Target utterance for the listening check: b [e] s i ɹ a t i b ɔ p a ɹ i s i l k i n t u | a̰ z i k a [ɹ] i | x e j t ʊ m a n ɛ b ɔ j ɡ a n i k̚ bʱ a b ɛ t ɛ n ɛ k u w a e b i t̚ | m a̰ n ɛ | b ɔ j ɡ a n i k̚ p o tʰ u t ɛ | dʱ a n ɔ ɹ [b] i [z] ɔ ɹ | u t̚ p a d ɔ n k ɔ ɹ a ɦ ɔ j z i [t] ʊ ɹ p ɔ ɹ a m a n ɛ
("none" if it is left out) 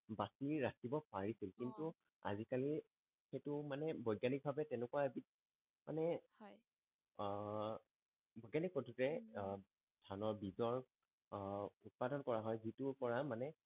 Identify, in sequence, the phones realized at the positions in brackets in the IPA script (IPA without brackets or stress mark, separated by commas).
a, l, b, z, t